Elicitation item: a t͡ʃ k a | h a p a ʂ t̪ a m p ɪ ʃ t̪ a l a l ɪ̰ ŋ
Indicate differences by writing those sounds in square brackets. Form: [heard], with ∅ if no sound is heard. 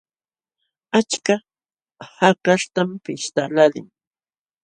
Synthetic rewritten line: a t͡ʃ k a | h a [k] a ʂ t̪ a m p ɪ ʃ t̪ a l a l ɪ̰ ŋ